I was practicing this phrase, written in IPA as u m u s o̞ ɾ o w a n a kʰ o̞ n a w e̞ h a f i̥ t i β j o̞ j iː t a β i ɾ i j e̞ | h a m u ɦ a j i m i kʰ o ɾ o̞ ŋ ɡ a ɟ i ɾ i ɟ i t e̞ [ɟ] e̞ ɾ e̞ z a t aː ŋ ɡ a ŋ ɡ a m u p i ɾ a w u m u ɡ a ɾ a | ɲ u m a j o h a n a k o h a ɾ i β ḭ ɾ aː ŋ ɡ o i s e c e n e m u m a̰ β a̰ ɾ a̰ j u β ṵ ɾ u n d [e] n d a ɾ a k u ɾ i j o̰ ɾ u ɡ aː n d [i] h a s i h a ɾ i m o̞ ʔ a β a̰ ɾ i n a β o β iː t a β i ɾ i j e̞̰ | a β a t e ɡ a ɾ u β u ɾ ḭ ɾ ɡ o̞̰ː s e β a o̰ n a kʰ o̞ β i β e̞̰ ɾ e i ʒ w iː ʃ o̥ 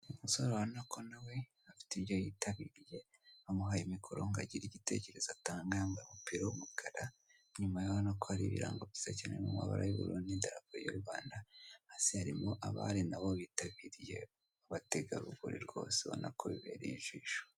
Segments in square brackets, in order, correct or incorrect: incorrect: c, incorrect: i, incorrect: a

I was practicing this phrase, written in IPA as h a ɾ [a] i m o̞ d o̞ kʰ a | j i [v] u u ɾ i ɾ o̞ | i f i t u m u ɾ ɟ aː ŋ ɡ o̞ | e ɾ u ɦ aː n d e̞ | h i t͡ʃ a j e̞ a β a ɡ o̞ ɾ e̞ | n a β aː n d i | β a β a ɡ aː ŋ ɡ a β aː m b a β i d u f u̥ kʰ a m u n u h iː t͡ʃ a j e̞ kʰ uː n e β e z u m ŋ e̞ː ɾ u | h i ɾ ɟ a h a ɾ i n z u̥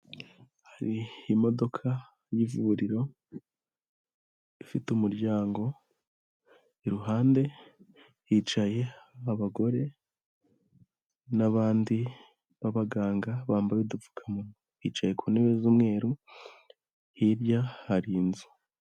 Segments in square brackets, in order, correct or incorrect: incorrect: i, correct

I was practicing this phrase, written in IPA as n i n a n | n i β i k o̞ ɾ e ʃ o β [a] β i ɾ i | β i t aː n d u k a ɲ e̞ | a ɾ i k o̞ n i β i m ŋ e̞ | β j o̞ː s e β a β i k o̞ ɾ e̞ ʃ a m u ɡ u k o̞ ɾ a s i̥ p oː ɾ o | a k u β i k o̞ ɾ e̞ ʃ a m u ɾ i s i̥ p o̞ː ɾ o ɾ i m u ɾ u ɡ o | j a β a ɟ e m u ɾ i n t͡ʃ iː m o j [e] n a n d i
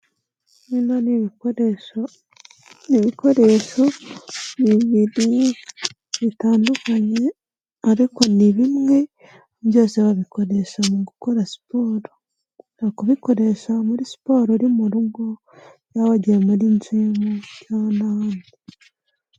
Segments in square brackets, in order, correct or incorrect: incorrect: i, incorrect: a

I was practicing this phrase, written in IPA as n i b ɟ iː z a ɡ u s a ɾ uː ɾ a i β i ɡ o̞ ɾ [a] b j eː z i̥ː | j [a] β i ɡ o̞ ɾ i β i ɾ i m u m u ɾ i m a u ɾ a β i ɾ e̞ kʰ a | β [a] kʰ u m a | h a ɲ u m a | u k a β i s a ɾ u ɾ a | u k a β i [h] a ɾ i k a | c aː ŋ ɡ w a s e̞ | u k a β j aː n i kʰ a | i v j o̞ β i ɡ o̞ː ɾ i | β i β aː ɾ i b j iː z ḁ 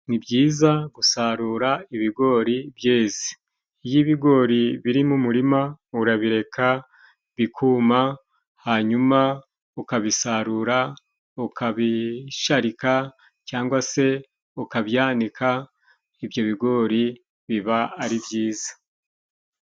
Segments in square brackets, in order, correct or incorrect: incorrect: i, incorrect: i, incorrect: i, incorrect: ʃ

